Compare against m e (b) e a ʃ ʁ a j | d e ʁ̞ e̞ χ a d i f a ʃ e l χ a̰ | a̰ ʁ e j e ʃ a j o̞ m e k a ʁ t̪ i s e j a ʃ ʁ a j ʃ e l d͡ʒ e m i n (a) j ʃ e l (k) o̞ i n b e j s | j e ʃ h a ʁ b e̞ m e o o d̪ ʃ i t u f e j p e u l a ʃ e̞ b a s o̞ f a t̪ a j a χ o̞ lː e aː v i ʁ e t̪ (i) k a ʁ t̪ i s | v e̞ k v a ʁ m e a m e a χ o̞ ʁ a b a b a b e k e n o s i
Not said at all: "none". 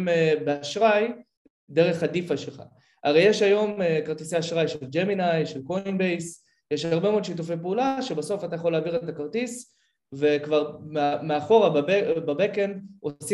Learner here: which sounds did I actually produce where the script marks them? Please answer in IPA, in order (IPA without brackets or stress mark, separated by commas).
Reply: b, a, k, a